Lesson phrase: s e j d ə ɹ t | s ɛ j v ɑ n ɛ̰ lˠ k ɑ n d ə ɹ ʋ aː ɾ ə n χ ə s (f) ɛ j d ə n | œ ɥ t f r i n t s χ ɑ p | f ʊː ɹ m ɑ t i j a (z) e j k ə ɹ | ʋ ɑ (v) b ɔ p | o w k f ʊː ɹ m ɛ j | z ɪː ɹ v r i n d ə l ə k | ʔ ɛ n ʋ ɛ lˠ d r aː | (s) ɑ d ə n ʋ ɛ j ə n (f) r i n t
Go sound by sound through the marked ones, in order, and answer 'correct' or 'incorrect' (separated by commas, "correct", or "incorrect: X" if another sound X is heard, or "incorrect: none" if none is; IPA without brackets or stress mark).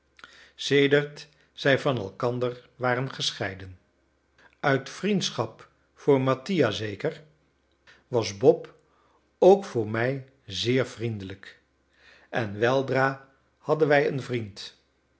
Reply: incorrect: χ, correct, incorrect: z, incorrect: h, incorrect: v